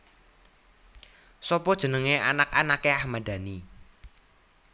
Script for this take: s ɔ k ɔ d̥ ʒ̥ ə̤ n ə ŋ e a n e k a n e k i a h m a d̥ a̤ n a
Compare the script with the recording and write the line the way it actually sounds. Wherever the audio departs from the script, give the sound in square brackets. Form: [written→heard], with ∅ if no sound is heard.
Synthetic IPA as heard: s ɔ [k→p] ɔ d̥ ʒ̥ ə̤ n ə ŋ e a n [e→a] k a n [e→a] k [i→e] a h m a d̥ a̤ n [a→i]